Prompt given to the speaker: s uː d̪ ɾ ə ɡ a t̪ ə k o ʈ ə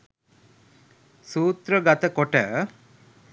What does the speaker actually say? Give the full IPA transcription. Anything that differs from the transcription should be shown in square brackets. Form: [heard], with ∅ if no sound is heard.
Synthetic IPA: s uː [t̪] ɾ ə ɡ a t̪ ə k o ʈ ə